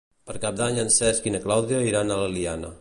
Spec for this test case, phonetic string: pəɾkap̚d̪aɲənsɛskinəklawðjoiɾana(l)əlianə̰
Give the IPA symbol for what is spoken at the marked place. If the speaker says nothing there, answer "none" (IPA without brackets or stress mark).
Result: l